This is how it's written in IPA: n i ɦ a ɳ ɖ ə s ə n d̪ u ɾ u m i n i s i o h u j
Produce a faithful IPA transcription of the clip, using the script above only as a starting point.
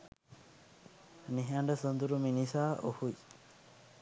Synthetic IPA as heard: n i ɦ a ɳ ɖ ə s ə n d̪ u ɾ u m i n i s a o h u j